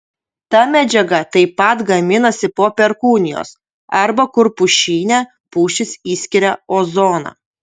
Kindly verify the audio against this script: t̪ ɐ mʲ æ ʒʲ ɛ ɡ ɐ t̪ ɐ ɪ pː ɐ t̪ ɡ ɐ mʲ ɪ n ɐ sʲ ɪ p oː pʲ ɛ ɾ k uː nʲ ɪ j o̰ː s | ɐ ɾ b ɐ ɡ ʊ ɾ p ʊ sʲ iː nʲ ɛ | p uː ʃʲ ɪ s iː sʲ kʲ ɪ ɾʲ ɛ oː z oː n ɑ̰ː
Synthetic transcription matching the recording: t̪ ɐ mʲ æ d͡ʒʲ ɛ ɡ ɐ t̪ ɐ ɪ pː ɐ t̪ ɡ ɐ mʲ ɪ n ɐ sʲ ɪ p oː pʲ ɛ ɾ k uː nʲ ɪ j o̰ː s | ɐ ɾ b ɐ k ʊ ɾ p ʊ ʃʲ iː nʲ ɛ | p uː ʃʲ ɪ s iː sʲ kʲ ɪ ɾʲ ɛ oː z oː n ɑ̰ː